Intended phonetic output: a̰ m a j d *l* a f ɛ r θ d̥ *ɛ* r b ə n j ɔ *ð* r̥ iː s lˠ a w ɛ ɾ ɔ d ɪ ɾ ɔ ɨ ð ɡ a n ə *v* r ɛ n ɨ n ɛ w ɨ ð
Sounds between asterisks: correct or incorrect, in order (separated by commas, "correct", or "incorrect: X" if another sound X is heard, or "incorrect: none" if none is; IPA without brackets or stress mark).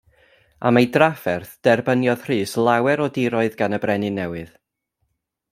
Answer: incorrect: r, correct, correct, incorrect: b